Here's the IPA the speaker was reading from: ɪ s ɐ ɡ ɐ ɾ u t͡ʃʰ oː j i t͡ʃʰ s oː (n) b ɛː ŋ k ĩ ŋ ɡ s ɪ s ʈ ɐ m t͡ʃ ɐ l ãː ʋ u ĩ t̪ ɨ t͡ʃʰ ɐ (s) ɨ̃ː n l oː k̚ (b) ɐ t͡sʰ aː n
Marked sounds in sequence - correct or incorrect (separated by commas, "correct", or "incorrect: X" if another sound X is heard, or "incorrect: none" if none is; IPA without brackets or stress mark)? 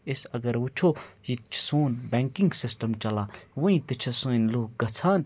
correct, correct, incorrect: ɡ